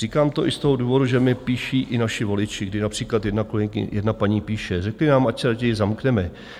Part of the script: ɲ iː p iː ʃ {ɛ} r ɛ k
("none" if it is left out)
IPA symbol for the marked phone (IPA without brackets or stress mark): ɛ